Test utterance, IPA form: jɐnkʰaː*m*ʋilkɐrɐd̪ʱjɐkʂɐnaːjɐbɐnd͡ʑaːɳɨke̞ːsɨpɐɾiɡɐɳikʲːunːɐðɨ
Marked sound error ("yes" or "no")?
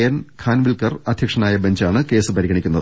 yes